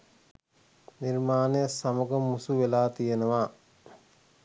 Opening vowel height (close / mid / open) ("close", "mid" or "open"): close